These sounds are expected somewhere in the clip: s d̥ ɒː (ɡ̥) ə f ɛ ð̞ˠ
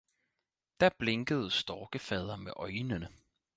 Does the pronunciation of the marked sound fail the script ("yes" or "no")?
no